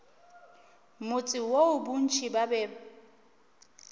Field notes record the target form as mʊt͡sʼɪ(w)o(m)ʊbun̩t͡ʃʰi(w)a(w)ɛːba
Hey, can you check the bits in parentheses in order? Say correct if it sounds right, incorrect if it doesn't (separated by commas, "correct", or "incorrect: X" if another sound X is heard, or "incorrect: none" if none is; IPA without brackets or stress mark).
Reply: correct, incorrect: none, incorrect: b, incorrect: b